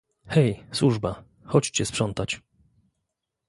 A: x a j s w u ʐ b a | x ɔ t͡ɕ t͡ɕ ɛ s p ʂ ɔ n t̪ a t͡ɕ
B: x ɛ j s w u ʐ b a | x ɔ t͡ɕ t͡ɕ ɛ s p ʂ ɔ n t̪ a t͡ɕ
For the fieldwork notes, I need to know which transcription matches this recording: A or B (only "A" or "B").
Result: B